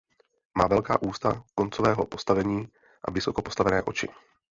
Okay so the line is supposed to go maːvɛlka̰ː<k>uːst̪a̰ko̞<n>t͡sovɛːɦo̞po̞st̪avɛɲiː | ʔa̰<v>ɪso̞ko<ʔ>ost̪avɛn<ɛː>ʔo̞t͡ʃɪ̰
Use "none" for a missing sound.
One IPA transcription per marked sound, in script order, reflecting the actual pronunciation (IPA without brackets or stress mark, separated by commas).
ʔ, n, v, p, ɛː